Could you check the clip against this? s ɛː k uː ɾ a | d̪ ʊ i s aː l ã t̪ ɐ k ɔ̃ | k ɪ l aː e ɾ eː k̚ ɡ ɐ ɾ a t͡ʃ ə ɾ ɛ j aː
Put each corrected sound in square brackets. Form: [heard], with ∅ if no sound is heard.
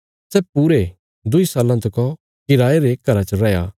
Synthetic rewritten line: s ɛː [p] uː ɾ [e] | d̪ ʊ i s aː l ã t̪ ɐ k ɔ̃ | k ɪ [ɾ] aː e ɾ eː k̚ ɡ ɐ ɾ a t͡ʃ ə ɾ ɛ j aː

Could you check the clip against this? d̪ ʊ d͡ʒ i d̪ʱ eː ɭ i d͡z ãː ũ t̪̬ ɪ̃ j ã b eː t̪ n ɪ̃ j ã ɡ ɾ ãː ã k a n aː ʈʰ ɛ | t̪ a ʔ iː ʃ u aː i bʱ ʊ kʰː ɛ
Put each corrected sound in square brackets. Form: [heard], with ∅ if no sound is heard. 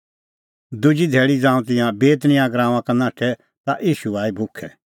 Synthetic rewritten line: d̪ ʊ d͡ʒ i d̪ʱ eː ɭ i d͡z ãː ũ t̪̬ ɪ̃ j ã b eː t̪ n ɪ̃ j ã ɡ ɾ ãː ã k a n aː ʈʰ ɛ | t̪ a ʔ iː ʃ u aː i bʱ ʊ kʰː ɛ

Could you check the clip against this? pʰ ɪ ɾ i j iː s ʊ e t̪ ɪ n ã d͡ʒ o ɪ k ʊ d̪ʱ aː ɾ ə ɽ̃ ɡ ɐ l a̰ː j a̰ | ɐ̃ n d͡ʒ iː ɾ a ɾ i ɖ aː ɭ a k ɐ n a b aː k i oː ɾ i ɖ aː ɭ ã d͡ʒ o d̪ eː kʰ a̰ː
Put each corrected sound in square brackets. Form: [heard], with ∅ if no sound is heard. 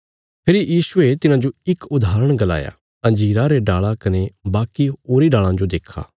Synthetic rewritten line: pʰ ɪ ɾ i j iː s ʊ e t̪ ɪ n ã d͡ʒ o ɪ k ʊ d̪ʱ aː ɾ ə ɽ̃ ɡ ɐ l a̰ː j a̰ | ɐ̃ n d͡ʒ iː ɾ a ɾ [e] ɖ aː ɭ a k ɐ n [e] b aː k i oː ɾ i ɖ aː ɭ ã d͡ʒ o d̪ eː kʰ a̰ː

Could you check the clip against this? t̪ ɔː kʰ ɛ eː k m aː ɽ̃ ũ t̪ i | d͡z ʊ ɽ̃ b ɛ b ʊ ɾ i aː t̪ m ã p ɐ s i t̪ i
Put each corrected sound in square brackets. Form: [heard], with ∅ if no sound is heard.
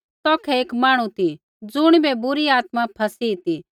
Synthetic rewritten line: t̪ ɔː kʰ ɛ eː k m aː ɽ̃ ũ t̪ i | d͡z ʊ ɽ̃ b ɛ b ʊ ɾ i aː t̪ m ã [pʰ] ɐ s i t̪ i

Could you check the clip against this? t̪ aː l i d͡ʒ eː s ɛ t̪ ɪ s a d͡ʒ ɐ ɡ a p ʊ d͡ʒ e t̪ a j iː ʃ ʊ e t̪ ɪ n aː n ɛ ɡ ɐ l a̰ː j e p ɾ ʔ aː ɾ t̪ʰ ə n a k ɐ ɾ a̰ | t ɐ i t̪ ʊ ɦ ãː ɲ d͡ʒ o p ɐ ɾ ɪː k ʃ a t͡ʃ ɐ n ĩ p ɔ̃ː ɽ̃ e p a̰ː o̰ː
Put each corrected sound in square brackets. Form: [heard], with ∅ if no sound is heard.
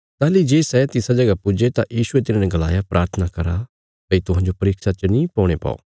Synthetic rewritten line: t̪ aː l i d͡ʒ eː s ɛ t̪ ɪ s a d͡ʒ ɐ ɡ a p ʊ d͡ʒ e t̪ a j iː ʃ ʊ e t̪ ɪ n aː n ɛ ɡ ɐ l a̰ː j [a] p ɾ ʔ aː ɾ t̪ʰ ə n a k ɐ ɾ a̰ | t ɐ i t̪ ʊ ɦ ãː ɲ d͡ʒ o p ɐ ɾ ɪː k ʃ a t͡ʃ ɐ n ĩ p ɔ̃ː ɽ̃ e p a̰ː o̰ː

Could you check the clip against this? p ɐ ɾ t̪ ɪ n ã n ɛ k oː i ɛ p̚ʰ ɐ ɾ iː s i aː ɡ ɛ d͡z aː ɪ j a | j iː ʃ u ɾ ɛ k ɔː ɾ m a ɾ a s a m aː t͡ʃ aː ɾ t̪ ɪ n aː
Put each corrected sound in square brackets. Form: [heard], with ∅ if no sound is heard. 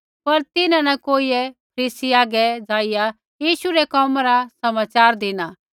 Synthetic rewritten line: p ɐ ɾ t̪ ɪ n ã n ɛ k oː i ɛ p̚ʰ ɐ ɾ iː s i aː ɡ ɛ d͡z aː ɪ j a | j iː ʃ u ɾ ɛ k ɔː [∅] m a ɾ a s [ɐ] m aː t͡ʃ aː ɾ [d̪] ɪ n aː

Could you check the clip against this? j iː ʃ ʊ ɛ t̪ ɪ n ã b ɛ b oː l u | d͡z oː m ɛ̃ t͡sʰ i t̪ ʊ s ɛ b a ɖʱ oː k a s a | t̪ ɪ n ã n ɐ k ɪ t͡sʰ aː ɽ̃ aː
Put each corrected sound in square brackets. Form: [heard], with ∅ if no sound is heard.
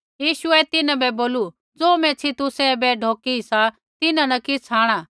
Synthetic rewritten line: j iː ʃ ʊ ɛ t̪ ɪ n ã b ɛ b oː l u | d͡z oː m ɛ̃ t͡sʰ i t̪ ʊ s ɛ b [ɛ] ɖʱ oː k [i] s a | t̪ ɪ n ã n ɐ k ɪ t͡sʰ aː ɽ̃ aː

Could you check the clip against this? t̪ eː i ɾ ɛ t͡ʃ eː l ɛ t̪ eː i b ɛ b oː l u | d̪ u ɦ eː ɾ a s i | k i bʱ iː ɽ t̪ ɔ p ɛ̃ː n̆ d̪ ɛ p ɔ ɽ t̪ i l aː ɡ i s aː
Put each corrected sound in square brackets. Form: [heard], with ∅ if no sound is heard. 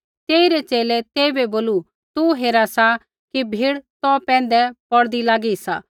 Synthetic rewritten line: t̪ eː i ɾ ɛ t͡ʃ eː l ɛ t̪ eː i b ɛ b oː l u | [t̪] u ɦ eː ɾ a s [a] | k i bʱ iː ɽ t̪ ɔ p ɛ̃ː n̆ d̪ ɛ p ɔ ɽ [d̪] i l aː ɡ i s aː

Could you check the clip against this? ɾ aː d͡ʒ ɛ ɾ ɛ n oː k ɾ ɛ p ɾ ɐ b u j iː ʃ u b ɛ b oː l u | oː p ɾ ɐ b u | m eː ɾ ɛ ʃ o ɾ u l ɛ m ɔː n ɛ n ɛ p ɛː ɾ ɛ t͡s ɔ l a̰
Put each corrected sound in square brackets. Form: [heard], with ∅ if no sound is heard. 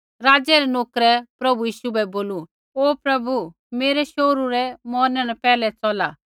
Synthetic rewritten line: ɾ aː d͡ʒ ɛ ɾ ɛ n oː k ɾ ɛ p ɾ ɐ b u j iː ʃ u b ɛ b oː l u | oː p ɾ ɐ b u | m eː ɾ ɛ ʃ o ɾ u [ɾ] ɛ m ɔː n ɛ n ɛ p ɛː [l] ɛ t͡s ɔ l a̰

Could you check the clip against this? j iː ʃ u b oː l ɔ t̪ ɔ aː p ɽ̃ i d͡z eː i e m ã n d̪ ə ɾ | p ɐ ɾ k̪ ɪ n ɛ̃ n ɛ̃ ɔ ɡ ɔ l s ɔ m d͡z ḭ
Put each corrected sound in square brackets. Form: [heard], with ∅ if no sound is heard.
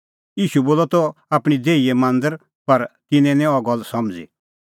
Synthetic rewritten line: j iː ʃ u b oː l ɔ t̪ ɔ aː p ɽ̃ i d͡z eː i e m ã n d̪ ə ɾ | p ɐ ɾ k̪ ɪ n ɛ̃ n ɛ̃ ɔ ɡ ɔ l s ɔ m d͡z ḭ

